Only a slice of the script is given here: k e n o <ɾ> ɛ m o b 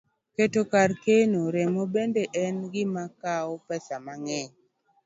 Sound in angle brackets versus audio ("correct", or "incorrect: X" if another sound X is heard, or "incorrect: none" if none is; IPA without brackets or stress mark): correct